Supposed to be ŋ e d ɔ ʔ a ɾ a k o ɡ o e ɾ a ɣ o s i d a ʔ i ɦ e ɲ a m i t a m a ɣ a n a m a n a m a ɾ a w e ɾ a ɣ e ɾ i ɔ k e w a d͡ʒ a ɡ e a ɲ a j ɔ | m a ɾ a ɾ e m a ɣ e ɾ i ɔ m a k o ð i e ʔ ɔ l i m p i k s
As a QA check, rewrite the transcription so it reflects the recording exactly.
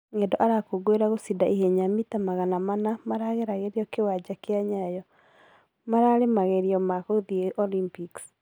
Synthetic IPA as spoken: ŋ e d ɔ ʔ a ɾ a k o ɡ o e ɾ a ɣ o s i d a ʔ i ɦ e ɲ a m i t a m a ɣ a n a m a n a m a ɾ a ɣ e ɾ a ɣ e ɾ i ɔ k e w a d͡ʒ a k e a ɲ a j ɔ | m a ɾ a ɾ e m a ɣ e ɾ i ɔ m a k o ð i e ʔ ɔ l i m p i k s